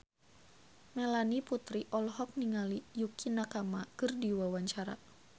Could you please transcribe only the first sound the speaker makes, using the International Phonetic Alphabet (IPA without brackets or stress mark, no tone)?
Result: m